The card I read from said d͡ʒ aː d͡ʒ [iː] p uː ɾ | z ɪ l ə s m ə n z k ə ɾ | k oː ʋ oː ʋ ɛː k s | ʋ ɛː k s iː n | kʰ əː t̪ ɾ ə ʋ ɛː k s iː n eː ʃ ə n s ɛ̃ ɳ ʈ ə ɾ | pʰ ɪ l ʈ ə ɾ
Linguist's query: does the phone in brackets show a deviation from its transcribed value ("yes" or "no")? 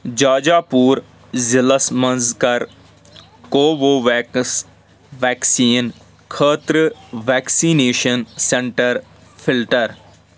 yes